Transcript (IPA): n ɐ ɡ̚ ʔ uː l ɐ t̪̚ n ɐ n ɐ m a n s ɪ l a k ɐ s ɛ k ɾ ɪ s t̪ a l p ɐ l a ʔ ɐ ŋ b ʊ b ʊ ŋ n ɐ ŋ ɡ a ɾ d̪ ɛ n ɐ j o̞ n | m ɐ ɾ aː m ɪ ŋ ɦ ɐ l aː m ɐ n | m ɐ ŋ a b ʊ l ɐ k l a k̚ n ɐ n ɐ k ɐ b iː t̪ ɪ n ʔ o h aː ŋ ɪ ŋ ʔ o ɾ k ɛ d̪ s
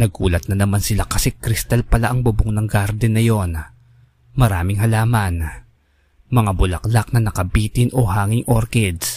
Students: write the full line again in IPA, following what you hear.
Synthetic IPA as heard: n ɐ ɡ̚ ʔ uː l ɐ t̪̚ n ɐ n ɐ m a n s ɪ l a k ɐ s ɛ k ɾ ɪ s t̪ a l p ɐ l a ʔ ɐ ŋ b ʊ b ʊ ŋ n ɐ ŋ ɡ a ɾ d̪ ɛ n ɐ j o̞ n | m ɐ ɾ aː m ɪ ŋ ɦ ɐ l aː m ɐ n | m ɐ ŋ a b ʊ l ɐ k l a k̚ n ɐ n ɐ k ɐ b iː t̪ ɪ n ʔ o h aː ŋ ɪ ŋ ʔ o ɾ k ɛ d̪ s